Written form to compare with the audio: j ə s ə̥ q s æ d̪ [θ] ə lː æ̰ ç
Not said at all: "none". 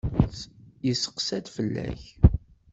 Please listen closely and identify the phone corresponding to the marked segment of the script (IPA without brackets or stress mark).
f